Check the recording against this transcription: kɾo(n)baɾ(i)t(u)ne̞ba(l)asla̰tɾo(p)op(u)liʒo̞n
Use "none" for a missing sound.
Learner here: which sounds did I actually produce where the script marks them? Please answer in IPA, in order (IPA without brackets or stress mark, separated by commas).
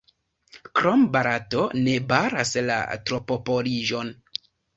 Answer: m, a, o, ɾ, p, o